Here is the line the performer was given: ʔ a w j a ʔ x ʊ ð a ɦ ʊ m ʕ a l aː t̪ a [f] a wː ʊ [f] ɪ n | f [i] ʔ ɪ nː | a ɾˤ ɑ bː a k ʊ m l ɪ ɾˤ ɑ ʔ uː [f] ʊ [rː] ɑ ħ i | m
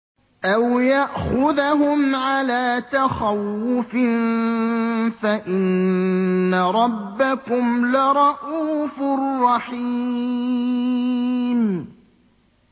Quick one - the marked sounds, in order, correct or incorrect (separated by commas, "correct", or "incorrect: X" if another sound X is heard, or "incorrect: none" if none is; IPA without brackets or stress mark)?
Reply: incorrect: x, correct, incorrect: a, correct, correct